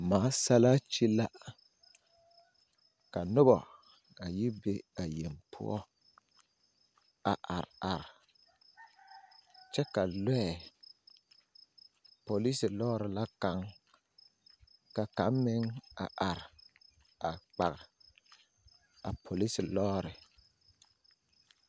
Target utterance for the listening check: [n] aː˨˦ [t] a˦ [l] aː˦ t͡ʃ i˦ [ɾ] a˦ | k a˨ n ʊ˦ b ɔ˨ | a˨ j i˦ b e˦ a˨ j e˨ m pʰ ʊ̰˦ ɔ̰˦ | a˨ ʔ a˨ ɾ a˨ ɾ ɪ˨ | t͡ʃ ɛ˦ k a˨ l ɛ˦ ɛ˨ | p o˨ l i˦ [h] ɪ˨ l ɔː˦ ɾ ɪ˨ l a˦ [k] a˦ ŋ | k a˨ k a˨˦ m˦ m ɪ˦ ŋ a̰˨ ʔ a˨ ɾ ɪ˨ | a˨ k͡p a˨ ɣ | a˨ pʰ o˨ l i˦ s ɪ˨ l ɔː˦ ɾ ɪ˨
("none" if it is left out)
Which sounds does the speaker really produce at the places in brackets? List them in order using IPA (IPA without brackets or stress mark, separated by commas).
m, s, l, l, s, k